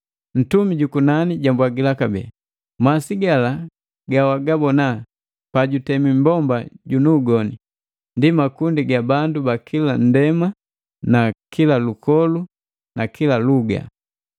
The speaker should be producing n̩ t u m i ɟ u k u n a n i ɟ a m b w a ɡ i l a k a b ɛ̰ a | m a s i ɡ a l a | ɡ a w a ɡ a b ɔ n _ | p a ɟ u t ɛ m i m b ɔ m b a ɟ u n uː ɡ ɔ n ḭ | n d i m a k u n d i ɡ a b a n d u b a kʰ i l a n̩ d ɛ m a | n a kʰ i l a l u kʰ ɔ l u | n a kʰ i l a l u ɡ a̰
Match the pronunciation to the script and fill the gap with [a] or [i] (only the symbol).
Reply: a